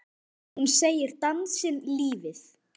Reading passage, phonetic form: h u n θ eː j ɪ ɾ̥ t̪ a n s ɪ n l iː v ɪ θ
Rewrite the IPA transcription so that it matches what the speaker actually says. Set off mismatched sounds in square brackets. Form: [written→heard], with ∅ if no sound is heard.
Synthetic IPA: h u n [θ→s] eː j ɪ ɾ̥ t̪ a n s ɪ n l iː v ɪ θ